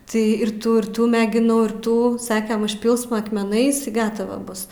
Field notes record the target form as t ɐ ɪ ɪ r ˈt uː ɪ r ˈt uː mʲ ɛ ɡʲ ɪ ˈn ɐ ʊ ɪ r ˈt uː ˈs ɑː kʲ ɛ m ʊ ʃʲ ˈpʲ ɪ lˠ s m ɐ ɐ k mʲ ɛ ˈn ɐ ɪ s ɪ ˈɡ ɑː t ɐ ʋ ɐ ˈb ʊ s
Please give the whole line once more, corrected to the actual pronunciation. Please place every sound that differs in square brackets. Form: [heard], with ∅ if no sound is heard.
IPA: t ɐ ɪ ɪ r ˈt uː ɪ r ˈt uː mʲ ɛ ɡʲ ɪ ˈn ɐ ʊ ɪ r ˈt uː ˈs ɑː kʲ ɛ m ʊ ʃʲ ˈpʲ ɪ lˠ s m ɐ ɐ k mʲ ɛ ˈn ɐ ɪ s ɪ ˈɡ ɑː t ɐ ʋ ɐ ˈb ʊ s

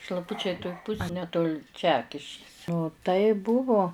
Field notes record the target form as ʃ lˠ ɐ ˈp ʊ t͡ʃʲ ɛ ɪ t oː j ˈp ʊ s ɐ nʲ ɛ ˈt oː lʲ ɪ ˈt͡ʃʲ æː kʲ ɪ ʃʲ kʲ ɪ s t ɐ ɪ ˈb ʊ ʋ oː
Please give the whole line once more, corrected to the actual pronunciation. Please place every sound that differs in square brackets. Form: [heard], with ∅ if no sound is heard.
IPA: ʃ lˠ ɐ ˈp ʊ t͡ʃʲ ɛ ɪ t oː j ˈp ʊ s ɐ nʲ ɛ ˈt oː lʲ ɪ ˈt͡ʃʲ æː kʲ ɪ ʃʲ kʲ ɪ s t ɐ ɪ ˈb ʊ ʋ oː

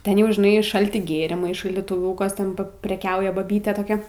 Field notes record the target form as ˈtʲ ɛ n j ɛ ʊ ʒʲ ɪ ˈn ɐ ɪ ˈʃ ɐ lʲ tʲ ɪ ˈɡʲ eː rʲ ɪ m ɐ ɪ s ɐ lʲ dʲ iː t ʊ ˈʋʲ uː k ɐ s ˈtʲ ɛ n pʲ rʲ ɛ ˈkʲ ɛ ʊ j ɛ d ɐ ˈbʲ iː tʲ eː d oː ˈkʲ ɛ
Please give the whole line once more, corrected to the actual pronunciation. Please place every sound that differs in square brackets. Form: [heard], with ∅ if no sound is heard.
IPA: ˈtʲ ɛ n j ɛ ʊ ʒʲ ɪ ˈn ɐ ɪ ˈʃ ɐ lʲ tʲ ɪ ˈɡʲ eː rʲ ɪ m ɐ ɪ [ʃ] ɐ lʲ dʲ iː t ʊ ˈʋʲ uː k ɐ s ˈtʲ ɛ n pʲ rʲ ɛ ˈkʲ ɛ ʊ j ɛ [b] ɐ ˈbʲ iː tʲ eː [t] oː ˈkʲ ɛ

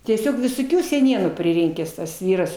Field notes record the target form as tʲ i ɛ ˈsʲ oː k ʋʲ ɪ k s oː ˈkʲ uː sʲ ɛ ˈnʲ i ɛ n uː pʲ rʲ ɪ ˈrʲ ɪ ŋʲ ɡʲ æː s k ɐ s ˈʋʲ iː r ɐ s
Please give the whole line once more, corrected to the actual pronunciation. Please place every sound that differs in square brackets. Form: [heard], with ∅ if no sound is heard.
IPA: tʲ i ɛ ˈsʲ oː k ʋʲ ɪ [∅] s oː ˈkʲ uː sʲ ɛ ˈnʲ i ɛ n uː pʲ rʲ ɪ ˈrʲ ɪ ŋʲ [kʲ] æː s [t] ɐ s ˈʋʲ iː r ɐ s

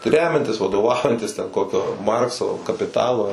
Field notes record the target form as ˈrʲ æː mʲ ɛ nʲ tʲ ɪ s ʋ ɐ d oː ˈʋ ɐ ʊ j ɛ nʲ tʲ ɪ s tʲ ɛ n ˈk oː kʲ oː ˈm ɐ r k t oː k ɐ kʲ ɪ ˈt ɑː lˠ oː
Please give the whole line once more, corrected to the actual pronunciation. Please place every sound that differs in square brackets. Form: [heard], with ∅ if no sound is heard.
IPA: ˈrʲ æː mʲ ɛ nʲ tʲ ɪ s ʋ ɐ d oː ˈʋ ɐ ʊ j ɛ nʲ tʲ ɪ s tʲ ɛ n ˈk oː kʲ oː ˈm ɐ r k [s] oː k ɐ [pʲ] ɪ ˈt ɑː lˠ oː

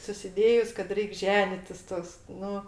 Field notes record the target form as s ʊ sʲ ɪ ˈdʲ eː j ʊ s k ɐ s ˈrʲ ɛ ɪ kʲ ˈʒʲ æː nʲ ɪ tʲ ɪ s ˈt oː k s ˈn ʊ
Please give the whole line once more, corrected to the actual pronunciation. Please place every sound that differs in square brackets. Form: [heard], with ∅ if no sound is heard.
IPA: s ʊ sʲ ɪ ˈdʲ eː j ʊ s k ɐ [t] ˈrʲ ɛ ɪ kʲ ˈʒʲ æː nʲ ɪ tʲ ɪ s ˈt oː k s ˈn ʊ

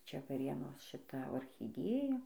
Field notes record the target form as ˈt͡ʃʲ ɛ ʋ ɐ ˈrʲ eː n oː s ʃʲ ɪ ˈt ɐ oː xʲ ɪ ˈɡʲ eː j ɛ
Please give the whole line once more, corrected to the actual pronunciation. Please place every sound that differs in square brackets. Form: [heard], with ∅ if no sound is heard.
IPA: ˈt͡ʃʲ ɛ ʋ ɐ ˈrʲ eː n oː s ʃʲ ɪ ˈt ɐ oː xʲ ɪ [ˈdʲ] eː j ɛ

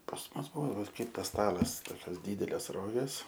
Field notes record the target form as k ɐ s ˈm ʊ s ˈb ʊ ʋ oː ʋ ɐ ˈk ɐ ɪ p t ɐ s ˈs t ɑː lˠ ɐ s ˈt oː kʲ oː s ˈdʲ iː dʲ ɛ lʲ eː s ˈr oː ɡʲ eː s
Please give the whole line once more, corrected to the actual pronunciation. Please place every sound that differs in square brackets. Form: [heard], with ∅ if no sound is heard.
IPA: [p] ɐ s ˈm ʊ s ˈb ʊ ʋ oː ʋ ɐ ˈk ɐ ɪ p t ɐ s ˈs t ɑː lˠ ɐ s ˈt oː kʲ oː s ˈdʲ iː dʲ ɛ lʲ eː s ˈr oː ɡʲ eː s

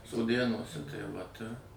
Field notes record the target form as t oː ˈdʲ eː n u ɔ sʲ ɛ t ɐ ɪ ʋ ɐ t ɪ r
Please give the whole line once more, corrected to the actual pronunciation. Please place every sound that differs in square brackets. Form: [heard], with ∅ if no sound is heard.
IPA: [s] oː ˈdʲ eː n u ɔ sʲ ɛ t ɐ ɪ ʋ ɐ t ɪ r

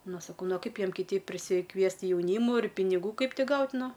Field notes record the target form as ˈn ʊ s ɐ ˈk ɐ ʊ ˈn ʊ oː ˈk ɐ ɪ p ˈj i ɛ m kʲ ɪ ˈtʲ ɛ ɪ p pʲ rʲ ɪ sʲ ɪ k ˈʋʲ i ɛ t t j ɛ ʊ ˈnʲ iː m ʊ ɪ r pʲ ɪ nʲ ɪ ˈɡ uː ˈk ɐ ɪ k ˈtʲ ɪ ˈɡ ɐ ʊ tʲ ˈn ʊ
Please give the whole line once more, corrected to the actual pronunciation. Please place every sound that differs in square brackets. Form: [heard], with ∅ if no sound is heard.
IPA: ˈn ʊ s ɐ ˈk ɐ ʊ ˈn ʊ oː ˈk ɐ ɪ p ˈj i ɛ m kʲ ɪ ˈtʲ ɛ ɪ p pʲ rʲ ɪ sʲ ɪ k ˈʋʲ i ɛ [s] t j ɛ ʊ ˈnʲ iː m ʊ ɪ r pʲ ɪ nʲ ɪ ˈɡ uː ˈk ɐ ɪ [p] ˈtʲ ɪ ˈɡ ɐ ʊ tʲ ˈn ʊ

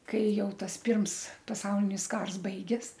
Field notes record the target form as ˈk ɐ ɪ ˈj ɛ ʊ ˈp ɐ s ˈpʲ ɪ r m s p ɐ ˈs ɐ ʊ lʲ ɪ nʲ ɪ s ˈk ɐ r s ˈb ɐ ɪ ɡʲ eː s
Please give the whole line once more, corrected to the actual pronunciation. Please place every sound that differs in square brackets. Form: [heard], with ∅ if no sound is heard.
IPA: ˈk ɐ ɪ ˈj ɛ ʊ [ˈt] ɐ s ˈpʲ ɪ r m s p ɐ ˈs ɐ ʊ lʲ ɪ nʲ ɪ s ˈk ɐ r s ˈb ɐ ɪ ɡʲ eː s

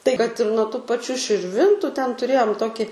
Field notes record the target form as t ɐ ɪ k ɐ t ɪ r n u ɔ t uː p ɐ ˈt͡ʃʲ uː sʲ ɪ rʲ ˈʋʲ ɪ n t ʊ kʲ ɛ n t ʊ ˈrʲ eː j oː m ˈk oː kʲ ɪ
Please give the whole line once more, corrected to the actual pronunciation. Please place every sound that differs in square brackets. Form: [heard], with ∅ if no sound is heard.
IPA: t ɐ ɪ k ɐ t ɪ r n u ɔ t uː p ɐ ˈt͡ʃʲ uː [ʃʲ] ɪ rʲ ˈʋʲ ɪ n t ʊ [tʲ] ɛ n t ʊ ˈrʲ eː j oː m [ˈt] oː kʲ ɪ

